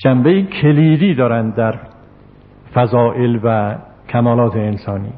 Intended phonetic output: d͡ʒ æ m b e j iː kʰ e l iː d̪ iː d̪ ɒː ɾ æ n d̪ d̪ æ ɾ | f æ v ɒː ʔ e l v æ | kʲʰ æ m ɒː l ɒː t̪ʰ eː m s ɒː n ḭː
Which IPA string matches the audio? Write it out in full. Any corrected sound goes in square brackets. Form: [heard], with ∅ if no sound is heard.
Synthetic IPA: d͡ʒ æ m b e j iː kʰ e l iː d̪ iː d̪ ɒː ɾ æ n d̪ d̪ æ ɾ | f æ [z] ɒː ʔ e l v æ | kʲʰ æ m ɒː l ɒː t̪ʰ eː [n] s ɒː n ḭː